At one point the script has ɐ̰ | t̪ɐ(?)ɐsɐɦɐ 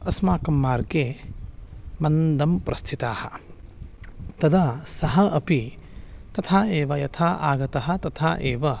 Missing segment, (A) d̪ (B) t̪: A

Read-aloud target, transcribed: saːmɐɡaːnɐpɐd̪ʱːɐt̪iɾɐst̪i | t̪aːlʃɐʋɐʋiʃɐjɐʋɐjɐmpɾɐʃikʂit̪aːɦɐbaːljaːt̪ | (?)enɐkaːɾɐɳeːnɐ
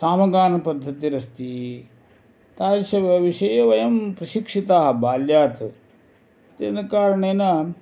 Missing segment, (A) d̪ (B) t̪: B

